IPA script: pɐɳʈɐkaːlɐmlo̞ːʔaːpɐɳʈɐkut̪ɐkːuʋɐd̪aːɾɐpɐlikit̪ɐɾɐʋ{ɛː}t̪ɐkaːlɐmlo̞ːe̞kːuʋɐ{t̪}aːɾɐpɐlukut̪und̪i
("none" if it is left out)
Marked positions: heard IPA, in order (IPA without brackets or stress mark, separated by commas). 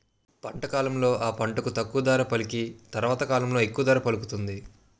aː, d̪